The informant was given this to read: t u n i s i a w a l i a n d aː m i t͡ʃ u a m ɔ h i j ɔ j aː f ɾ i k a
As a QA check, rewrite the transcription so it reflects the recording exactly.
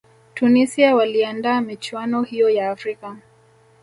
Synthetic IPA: t u n i s i a w a l i a n d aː m i t͡ʃ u a n ɔ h i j ɔ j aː f ɾ i k a